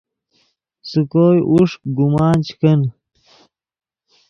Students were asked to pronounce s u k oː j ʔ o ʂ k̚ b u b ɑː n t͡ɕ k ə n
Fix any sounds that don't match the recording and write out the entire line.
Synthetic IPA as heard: s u k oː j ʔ u ʂ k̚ ɡ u m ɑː n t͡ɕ k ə n

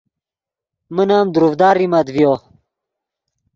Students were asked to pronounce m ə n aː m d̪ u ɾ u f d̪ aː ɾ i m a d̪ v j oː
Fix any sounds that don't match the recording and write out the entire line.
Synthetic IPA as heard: m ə n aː m d̪ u ɾ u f d̪ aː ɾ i m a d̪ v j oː

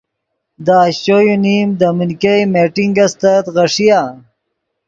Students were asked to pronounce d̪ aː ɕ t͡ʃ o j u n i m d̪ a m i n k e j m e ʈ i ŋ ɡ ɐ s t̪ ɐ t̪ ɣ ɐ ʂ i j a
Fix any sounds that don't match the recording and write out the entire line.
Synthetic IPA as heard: d̪ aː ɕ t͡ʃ o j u n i m d̪ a m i n k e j m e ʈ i ŋ ɡ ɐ s t̪ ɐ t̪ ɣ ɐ ʂ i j a

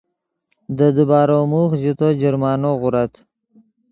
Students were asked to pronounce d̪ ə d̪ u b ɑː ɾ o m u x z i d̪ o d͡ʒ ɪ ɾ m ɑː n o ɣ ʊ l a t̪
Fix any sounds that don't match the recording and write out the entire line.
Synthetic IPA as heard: d̪ ə d̪ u b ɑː ɾ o m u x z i t̪ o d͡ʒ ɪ ɾ m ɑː n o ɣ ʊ ɾ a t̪

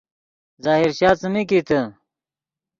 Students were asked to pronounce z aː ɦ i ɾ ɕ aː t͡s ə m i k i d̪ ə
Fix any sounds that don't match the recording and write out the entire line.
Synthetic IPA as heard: z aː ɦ i ɾ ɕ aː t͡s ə m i k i t̪ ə

